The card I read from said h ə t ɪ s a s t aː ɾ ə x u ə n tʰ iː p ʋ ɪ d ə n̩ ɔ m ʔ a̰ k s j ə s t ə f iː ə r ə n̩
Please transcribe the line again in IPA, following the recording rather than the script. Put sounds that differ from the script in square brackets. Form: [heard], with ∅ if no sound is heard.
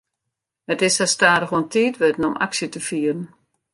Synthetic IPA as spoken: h ə t ɪ s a s t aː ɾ ə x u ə n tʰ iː [t] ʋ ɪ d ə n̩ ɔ m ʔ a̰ k s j ə [∅] t ə f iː ə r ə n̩